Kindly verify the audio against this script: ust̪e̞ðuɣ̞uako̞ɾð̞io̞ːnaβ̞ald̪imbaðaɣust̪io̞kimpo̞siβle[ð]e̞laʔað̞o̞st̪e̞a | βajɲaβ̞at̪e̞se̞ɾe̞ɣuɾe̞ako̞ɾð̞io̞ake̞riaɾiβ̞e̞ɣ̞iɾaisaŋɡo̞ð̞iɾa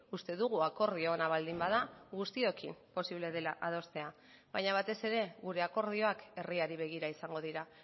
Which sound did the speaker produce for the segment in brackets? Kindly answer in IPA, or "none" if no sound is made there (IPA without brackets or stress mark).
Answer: ð